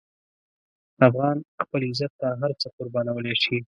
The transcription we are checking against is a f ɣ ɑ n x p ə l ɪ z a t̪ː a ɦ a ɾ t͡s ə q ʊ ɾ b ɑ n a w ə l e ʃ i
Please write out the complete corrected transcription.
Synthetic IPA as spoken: a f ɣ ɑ n x p ə l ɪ z a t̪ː a ɦ a ɾ t͡s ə q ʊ ɾ b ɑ n a w ə l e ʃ i